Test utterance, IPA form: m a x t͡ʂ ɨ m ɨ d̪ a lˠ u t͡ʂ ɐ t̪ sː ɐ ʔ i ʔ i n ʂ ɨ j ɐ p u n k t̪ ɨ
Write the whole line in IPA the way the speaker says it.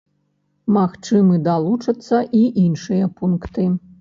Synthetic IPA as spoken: m a x t͡ʂ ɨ m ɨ d̪ a lˠ u t͡ʂ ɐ t̪ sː ɐ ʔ i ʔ i n ʂ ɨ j ɐ p u n k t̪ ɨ